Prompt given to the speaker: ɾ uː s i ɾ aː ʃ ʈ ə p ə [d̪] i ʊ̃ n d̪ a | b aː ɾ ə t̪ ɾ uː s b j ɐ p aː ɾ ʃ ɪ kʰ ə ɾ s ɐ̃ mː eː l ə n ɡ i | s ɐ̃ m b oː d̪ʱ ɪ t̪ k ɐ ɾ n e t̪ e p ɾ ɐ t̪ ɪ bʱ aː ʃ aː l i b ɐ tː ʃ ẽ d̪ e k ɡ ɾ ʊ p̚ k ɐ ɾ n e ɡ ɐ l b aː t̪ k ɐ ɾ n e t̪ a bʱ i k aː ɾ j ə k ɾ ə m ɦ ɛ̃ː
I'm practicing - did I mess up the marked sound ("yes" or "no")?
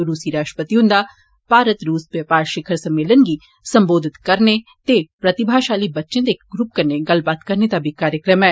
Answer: yes